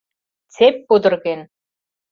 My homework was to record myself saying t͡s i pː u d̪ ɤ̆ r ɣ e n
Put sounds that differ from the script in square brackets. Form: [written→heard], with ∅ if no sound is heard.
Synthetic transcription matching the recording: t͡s [i→e] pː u d̪ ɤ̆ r ɣ e n